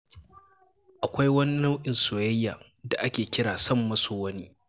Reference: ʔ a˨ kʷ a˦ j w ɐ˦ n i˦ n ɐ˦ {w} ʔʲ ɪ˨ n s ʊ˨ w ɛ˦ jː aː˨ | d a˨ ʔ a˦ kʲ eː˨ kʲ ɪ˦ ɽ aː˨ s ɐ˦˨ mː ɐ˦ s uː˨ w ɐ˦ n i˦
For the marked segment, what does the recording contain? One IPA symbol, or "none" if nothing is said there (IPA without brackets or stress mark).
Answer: w